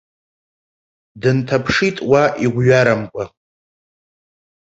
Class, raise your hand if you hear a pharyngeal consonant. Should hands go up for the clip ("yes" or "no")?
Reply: no